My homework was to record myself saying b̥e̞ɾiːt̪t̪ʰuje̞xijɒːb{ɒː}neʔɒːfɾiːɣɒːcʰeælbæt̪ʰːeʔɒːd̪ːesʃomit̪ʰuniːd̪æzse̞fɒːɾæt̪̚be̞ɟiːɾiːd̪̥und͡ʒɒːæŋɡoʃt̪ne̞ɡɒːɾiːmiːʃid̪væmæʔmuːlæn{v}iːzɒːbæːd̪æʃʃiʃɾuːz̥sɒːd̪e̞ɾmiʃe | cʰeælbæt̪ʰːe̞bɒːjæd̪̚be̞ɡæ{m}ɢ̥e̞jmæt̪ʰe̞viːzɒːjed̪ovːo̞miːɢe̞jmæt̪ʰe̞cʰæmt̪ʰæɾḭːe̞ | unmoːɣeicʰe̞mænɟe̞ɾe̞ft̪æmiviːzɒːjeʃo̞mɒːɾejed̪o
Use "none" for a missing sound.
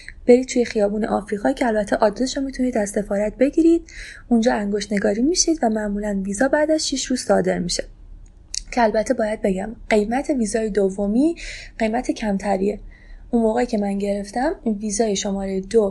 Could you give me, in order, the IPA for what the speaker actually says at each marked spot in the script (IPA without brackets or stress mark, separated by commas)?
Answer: uː, v, m